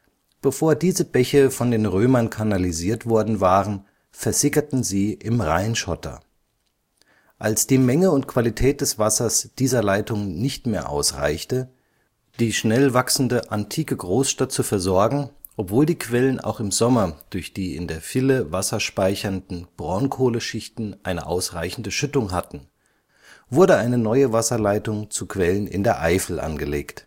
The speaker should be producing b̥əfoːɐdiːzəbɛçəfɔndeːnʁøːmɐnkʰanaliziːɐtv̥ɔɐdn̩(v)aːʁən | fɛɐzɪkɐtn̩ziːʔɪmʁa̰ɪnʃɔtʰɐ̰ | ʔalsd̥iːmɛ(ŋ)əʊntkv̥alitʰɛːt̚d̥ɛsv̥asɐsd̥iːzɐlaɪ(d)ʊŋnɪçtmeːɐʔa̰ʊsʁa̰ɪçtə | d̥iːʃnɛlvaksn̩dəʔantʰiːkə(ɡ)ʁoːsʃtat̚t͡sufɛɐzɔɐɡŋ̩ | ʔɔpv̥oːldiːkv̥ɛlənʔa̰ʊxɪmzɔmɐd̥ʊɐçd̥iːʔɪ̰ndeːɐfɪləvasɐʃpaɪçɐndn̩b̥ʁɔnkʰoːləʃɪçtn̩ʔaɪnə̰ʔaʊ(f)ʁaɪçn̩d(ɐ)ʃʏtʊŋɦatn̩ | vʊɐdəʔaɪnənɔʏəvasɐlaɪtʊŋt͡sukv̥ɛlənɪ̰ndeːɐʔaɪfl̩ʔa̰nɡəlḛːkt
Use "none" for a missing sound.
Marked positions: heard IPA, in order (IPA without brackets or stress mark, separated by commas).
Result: v, ŋ, t, ɡ, s, ə